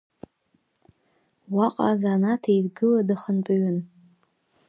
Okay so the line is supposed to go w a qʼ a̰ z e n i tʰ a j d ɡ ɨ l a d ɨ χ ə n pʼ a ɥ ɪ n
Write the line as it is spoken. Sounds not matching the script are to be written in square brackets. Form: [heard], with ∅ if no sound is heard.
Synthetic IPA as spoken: w a qʼ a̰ z [a] n [a] tʰ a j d ɡ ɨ l a d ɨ χ ə n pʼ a ɥ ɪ n